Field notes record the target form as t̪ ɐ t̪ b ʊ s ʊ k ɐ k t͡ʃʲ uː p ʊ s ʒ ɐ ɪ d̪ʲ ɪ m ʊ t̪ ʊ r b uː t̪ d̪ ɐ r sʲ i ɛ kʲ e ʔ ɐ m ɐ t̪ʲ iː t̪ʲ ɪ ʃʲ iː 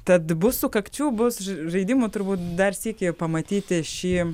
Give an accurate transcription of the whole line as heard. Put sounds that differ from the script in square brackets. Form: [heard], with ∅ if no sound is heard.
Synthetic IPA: t̪ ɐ t̪ b ʊ s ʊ k ɐ k t͡ʃʲ uː [b] ʊ s ʒ ɐ ɪ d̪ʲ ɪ m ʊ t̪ ʊ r b uː t̪ d̪ ɐ r sʲ i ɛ kʲ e [p] ɐ m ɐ t̪ʲ iː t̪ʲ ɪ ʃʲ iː